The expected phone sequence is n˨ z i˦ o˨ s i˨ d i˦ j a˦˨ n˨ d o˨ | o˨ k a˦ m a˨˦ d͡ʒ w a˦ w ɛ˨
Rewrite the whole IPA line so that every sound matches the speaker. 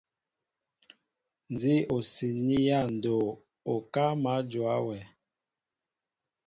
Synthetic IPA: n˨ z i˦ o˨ s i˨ n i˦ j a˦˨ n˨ d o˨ | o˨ k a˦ m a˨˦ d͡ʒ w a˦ w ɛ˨